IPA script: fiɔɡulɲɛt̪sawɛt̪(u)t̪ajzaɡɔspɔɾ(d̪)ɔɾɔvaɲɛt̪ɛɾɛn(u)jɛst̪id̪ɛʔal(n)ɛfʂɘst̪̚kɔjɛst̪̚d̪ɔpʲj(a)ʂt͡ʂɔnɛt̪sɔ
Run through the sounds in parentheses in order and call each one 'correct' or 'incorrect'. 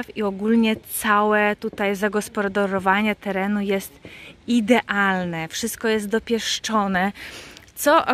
correct, correct, correct, correct, incorrect: ɛ

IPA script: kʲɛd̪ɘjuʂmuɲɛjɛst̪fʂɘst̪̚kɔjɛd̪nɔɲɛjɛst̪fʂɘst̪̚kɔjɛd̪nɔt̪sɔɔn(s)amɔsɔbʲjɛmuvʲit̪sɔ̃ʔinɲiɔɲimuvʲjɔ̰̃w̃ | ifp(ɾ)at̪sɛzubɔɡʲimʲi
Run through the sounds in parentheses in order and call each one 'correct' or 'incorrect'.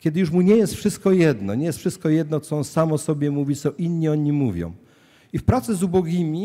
correct, correct

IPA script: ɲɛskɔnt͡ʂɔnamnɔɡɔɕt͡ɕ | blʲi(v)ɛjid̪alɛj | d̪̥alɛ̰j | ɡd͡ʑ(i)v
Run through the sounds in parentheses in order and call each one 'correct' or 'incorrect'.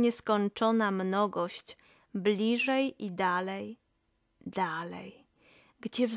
incorrect: ʐ, incorrect: ɛ

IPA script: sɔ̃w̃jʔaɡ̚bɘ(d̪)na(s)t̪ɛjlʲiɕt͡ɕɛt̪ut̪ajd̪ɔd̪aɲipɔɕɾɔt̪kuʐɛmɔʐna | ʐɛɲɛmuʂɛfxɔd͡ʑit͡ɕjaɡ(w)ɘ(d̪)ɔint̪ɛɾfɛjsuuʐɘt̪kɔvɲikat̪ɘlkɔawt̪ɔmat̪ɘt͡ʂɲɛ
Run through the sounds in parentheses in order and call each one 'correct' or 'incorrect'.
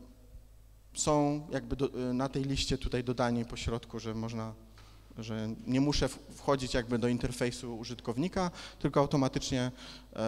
correct, incorrect: none, incorrect: b, correct

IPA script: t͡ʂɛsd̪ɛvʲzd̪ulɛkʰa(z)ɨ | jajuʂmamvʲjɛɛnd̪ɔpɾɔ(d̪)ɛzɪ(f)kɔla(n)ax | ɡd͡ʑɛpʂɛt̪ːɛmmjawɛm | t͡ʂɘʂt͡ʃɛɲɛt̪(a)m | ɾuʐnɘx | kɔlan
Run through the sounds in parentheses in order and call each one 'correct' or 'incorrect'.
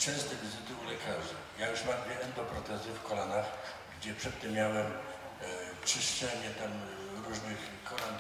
incorrect: ʐ, incorrect: t̪, correct, correct, correct

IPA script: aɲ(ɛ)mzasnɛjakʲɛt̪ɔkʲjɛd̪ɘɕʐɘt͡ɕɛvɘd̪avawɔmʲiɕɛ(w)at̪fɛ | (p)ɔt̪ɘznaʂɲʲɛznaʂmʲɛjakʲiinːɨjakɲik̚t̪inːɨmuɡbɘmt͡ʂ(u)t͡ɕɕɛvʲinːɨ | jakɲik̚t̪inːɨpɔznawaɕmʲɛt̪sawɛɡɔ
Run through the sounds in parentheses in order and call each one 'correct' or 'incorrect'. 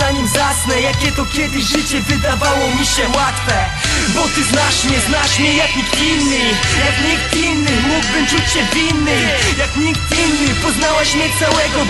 incorrect: i, correct, incorrect: b, correct

